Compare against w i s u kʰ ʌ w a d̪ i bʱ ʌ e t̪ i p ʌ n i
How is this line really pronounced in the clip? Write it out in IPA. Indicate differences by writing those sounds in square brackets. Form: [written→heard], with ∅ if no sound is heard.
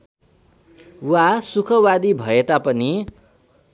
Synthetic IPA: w [i→a] s u kʰ ʌ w a d̪ i bʱ ʌ e t̪ [i→a] p ʌ n i